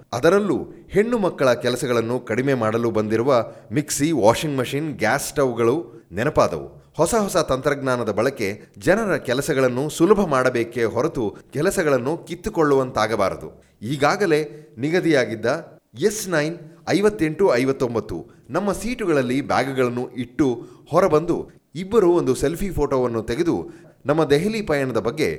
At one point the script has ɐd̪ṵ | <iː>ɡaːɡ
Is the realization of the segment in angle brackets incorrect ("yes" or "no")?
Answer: no